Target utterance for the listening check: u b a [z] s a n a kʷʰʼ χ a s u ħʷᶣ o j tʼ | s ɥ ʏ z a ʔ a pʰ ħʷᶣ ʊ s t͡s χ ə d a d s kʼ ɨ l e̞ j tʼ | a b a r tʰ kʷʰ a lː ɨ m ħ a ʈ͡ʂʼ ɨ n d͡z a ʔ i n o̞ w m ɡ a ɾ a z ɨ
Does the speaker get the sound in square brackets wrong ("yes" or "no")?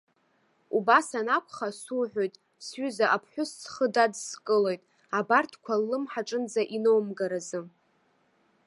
yes